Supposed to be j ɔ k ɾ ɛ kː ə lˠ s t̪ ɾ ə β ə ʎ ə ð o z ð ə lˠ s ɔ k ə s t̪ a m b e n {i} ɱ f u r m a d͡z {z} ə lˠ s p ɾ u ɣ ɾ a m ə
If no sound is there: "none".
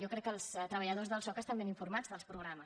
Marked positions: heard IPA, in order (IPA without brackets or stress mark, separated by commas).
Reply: i, ð